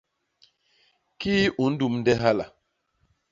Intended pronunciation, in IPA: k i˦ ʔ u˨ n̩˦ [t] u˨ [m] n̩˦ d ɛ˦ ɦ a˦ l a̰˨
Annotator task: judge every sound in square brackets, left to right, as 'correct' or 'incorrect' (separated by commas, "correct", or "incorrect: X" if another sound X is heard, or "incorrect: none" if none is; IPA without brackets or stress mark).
incorrect: d, correct